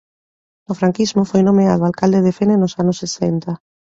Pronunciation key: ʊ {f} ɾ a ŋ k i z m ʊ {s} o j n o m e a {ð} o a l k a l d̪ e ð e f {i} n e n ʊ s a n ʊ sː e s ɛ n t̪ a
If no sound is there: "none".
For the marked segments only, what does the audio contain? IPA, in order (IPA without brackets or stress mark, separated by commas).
f, f, ð, e